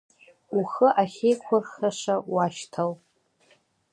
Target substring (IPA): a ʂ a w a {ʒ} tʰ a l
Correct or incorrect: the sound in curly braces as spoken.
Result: incorrect: ʃ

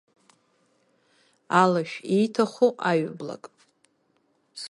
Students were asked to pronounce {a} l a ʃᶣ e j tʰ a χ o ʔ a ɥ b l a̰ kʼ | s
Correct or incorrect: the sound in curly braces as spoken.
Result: correct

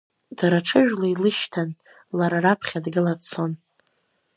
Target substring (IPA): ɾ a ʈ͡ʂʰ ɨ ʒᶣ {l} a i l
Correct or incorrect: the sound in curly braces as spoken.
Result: correct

